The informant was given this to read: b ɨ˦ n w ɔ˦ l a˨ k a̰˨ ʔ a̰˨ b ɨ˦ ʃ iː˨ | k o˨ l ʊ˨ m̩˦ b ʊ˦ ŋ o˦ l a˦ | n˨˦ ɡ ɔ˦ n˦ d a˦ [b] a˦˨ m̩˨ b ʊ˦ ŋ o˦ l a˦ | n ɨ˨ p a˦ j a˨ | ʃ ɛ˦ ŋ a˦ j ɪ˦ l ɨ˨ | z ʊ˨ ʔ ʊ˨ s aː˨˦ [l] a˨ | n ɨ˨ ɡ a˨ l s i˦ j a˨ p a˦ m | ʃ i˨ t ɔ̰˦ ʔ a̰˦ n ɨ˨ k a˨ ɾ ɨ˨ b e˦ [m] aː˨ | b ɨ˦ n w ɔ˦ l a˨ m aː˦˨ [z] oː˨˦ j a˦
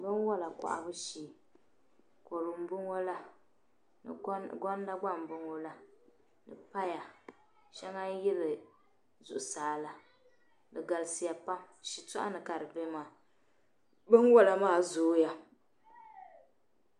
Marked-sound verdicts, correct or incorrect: incorrect, correct, correct, correct

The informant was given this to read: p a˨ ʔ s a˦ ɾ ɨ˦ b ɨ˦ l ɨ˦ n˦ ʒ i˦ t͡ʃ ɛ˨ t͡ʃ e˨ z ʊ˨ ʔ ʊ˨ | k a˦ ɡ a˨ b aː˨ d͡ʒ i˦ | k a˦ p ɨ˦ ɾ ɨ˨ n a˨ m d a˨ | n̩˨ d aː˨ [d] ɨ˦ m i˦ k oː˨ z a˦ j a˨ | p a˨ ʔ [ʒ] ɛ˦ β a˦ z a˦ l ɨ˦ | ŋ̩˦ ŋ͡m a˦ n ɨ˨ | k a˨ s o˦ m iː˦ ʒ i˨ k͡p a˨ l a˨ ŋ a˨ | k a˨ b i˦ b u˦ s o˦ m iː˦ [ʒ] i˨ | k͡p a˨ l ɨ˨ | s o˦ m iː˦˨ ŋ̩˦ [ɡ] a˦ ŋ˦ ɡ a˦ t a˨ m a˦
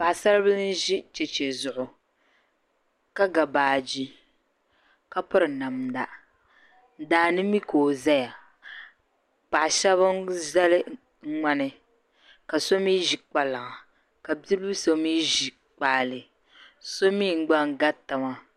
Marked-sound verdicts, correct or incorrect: incorrect, incorrect, correct, incorrect

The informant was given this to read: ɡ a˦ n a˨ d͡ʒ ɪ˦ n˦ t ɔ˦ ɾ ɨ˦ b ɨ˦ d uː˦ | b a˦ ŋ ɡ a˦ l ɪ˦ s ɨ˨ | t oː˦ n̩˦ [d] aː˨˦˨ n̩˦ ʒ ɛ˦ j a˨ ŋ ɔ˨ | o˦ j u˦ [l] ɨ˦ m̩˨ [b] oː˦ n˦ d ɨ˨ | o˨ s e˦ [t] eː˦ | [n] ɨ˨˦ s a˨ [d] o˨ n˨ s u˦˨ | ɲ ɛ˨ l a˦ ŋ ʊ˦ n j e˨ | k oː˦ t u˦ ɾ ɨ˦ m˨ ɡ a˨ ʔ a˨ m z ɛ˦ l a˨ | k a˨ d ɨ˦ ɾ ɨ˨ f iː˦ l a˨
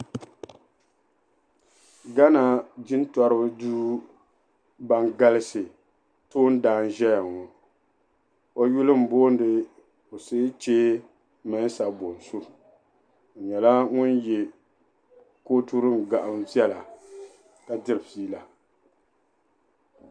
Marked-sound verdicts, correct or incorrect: correct, correct, correct, incorrect, incorrect, incorrect

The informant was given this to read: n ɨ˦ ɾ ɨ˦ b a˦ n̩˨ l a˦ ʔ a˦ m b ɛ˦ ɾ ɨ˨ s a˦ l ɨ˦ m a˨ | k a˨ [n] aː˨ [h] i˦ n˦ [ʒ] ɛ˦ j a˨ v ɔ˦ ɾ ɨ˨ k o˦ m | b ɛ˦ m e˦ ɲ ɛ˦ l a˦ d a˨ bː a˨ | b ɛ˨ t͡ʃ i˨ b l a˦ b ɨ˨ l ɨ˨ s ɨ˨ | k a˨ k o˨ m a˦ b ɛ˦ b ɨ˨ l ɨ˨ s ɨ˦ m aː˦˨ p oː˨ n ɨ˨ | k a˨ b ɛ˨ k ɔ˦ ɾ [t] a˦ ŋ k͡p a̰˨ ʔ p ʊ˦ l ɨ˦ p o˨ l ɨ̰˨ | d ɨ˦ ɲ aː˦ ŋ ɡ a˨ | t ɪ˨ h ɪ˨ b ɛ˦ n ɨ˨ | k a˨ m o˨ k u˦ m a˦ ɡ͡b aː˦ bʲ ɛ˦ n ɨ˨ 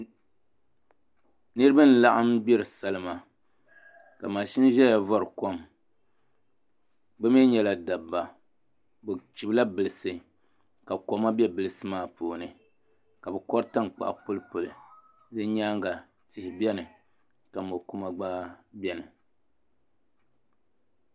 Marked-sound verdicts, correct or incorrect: incorrect, incorrect, correct, correct

